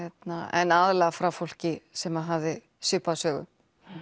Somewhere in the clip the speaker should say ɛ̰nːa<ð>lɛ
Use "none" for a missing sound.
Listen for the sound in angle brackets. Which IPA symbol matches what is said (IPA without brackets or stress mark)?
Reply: ð